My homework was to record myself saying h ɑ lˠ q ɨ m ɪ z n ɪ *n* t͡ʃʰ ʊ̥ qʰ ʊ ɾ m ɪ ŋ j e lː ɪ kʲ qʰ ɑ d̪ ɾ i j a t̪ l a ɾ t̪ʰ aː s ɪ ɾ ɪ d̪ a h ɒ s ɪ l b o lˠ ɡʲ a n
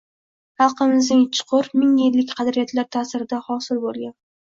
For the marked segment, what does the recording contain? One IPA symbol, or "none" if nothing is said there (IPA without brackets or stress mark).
ŋ